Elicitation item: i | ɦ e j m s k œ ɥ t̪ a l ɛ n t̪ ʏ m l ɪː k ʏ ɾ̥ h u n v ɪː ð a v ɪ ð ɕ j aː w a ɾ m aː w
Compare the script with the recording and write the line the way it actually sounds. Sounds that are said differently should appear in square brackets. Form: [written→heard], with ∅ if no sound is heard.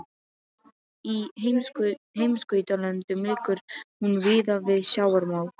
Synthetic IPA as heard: i | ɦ e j m s k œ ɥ t̪ a l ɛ n t̪ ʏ m l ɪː k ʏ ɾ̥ h u n v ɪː ð a v ɪ ð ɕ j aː w a ɾ m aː w